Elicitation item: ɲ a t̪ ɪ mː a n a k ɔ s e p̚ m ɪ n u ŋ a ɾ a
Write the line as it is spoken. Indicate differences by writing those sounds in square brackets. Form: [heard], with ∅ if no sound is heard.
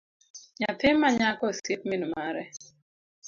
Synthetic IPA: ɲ a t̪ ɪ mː a [ɲ] a k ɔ s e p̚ m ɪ n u [m] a ɾ [ɛ]